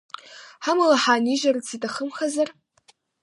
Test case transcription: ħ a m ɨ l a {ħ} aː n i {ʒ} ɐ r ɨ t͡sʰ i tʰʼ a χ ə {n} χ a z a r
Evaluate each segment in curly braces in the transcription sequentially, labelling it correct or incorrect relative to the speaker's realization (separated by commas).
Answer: correct, correct, incorrect